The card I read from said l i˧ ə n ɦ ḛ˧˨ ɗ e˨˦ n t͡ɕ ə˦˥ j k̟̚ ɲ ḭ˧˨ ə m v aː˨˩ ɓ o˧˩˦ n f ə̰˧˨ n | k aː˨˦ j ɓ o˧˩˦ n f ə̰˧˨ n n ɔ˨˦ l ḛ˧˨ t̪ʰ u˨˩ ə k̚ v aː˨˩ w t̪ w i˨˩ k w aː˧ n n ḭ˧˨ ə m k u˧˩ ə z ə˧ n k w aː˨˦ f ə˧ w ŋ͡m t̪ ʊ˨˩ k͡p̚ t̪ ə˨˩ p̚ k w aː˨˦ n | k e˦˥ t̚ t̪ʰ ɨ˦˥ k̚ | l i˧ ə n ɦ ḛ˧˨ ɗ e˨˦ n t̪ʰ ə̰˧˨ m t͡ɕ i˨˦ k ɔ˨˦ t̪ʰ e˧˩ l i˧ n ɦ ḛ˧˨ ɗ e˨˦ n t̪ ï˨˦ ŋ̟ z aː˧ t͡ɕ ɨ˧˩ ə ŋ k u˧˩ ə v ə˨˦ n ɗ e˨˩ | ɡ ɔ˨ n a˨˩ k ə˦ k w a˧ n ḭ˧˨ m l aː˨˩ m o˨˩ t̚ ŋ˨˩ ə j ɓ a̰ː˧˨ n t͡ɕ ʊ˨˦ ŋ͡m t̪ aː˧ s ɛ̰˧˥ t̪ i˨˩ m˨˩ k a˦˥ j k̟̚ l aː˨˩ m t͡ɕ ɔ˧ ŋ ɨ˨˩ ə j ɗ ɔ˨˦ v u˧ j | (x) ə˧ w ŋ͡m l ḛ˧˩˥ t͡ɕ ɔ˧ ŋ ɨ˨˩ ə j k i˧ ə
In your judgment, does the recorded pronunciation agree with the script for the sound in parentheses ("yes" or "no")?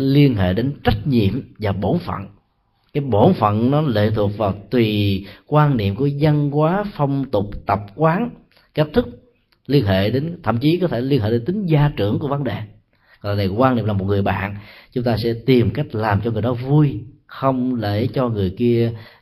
yes